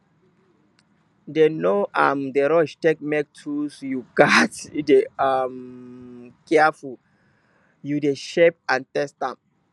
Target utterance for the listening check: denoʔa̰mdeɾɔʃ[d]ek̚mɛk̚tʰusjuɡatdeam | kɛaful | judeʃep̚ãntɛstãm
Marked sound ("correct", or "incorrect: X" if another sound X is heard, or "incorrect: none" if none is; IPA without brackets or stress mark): incorrect: t